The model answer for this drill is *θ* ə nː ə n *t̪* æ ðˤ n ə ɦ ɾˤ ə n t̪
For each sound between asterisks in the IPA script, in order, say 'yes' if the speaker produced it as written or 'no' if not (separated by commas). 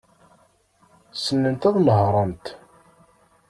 no, yes